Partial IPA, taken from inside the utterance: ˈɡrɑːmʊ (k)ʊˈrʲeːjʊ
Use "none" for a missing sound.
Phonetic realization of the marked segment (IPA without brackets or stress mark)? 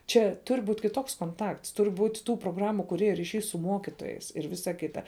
k